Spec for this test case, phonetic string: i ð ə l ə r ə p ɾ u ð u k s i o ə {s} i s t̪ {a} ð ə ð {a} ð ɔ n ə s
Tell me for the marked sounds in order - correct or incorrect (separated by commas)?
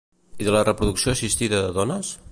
correct, incorrect, incorrect